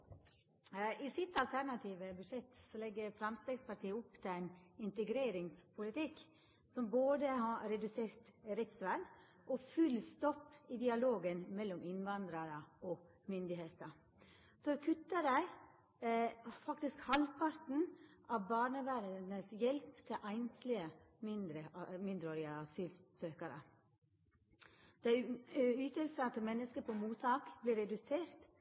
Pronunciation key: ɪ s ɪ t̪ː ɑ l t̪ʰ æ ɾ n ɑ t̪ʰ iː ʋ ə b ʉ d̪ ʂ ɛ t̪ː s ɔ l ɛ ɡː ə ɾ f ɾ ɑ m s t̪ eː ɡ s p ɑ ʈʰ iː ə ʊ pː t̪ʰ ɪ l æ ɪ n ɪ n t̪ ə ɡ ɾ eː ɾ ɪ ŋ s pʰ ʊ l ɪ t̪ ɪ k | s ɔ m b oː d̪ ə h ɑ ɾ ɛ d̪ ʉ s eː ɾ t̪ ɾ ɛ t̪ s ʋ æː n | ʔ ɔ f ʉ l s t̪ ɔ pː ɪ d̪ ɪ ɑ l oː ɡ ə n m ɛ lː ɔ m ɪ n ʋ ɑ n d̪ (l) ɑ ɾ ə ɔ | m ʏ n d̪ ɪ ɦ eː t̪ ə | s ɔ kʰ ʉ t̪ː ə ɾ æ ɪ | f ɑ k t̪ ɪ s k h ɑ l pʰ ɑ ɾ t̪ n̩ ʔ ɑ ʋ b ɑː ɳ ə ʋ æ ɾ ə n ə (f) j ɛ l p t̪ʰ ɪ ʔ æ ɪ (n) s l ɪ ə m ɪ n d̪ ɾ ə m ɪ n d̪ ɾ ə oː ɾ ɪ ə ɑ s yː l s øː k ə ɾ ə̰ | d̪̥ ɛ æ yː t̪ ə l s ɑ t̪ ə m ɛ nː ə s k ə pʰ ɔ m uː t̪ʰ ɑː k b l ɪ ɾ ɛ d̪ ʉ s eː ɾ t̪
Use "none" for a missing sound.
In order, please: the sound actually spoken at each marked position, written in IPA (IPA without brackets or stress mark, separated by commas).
ɾ, s, n